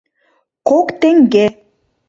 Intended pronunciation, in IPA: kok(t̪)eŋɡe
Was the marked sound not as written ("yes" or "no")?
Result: no